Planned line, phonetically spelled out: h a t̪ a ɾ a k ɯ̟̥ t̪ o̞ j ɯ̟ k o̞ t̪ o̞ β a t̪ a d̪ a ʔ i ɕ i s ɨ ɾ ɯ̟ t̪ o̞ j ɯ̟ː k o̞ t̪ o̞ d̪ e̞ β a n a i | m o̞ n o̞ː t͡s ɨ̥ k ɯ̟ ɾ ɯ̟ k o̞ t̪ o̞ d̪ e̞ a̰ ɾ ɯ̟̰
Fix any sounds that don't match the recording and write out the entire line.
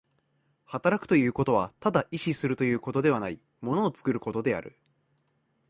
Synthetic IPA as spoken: h a t̪ a ɾ a k ɯ̟̥ t̪ o̞ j ɯ̟ː k o̞ t̪ o̞ β a t̪ a d̪ a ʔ i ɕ i s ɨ ɾ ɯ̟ t̪ o̞ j ɯ̟ː k o̞ t̪ o̞ d̪ e̞ β a n a i | m o̞ n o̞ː t͡s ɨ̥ k ɯ̟ ɾ ɯ̟ k o̞ t̪ o̞ d̪ e̞ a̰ ɾ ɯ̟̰